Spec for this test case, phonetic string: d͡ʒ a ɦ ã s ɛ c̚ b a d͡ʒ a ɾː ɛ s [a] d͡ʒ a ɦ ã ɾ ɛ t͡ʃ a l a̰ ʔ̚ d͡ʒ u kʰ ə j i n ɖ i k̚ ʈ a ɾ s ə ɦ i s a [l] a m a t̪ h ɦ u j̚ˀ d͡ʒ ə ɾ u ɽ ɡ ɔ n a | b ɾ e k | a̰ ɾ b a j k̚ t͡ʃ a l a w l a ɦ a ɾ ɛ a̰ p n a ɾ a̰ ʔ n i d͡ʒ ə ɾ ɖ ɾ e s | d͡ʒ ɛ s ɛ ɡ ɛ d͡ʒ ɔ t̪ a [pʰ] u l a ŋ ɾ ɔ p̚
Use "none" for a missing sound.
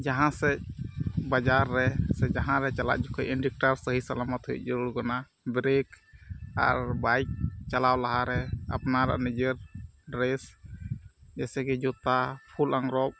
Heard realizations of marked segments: ɛ, l, pʰ

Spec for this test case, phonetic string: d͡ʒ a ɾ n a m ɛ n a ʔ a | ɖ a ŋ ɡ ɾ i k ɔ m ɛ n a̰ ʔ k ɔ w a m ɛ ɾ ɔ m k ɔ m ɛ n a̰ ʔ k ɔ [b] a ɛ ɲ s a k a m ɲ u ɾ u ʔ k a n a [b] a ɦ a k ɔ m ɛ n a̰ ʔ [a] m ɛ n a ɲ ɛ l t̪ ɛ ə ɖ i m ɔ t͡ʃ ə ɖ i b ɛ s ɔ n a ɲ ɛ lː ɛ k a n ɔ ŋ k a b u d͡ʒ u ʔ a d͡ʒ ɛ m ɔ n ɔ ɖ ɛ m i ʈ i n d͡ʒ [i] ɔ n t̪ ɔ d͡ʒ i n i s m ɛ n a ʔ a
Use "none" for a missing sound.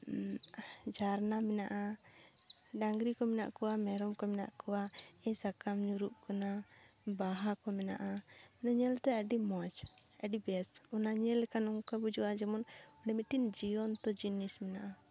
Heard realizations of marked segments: w, b, a, i

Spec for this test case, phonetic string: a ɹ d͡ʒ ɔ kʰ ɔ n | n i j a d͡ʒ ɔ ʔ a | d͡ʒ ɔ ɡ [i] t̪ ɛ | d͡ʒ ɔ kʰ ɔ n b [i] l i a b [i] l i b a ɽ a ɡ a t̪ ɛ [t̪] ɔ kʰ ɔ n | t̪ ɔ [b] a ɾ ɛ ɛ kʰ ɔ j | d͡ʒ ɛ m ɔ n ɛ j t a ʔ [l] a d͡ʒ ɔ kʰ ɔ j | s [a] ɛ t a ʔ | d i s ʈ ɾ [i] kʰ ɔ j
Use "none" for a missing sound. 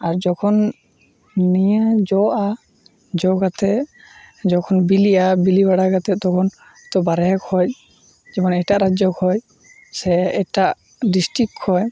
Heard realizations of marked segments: a, i, i, t̪, b, ɾ, ɛ, i

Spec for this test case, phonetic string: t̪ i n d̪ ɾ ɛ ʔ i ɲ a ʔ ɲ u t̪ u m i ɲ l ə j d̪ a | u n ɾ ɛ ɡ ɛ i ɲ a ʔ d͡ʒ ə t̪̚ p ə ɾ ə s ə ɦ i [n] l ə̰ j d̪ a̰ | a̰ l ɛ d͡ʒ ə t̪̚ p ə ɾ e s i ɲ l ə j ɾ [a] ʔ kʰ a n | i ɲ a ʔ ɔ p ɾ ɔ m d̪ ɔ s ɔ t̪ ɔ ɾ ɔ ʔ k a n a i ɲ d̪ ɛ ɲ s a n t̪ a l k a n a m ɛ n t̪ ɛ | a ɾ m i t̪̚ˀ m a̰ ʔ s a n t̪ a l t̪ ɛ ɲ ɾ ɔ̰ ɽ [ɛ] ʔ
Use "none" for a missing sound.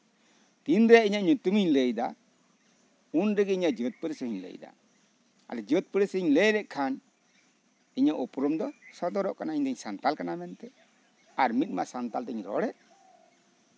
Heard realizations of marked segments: ɲ, ɛ, ɛ

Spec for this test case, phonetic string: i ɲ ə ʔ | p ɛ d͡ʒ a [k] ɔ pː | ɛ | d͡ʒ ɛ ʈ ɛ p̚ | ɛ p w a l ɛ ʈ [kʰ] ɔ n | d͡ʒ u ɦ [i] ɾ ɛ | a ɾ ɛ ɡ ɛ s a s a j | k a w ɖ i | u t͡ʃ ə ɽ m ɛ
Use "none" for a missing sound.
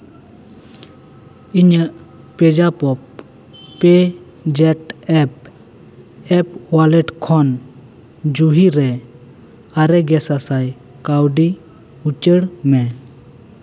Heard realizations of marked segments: p, kʰ, i

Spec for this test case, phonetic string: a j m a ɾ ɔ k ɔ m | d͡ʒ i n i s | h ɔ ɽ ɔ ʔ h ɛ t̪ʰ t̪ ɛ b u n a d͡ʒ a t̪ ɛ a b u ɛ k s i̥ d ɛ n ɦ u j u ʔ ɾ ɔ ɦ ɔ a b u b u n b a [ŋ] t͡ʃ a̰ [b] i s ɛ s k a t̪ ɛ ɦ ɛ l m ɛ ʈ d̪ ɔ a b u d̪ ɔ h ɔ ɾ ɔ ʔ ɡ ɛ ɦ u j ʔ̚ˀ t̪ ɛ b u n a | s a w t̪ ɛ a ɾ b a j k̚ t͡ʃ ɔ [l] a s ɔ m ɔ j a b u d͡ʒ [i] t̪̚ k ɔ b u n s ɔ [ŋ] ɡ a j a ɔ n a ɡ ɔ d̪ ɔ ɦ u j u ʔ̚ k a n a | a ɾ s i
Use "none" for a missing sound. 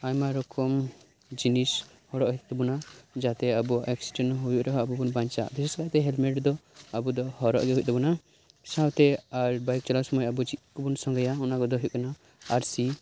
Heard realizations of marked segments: ɲ, b, l, i, ŋ

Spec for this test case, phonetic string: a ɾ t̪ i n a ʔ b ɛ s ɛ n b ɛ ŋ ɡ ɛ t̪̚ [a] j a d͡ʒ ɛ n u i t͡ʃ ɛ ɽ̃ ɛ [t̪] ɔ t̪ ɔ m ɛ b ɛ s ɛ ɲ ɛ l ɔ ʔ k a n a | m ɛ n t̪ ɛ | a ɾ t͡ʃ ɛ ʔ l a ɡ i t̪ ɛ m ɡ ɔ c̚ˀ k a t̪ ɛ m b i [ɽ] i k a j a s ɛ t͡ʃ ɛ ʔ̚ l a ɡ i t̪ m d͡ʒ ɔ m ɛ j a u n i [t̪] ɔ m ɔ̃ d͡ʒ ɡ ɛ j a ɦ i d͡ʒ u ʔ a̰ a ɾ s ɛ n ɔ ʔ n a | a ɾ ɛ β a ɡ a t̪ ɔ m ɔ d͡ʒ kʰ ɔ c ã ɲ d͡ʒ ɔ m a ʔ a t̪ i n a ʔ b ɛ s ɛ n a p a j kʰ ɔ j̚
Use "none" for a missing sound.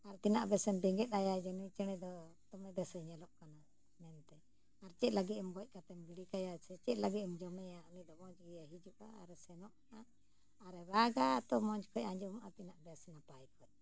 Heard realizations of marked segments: a, d̪, ɽ, d̪

